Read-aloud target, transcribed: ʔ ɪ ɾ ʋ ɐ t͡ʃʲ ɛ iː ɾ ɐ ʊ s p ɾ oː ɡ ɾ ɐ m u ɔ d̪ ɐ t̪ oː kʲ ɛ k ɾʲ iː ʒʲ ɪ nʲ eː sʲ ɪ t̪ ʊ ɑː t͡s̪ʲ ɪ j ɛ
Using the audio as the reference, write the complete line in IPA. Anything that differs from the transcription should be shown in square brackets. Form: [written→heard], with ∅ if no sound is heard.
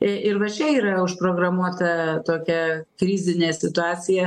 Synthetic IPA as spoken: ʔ ɪ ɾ ʋ ɐ t͡ʃʲ ɛ iː ɾ ɐ ʊ [s→ʃ] p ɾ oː ɡ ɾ ɐ m u ɔ [d̪→t̪] ɐ t̪ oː kʲ ɛ k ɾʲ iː [ʒʲ→zʲ] ɪ nʲ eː sʲ ɪ t̪ ʊ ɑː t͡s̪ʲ ɪ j ɛ